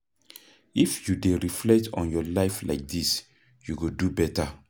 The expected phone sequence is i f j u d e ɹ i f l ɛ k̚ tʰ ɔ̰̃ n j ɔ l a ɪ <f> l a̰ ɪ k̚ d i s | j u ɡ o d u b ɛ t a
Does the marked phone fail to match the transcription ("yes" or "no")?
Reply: no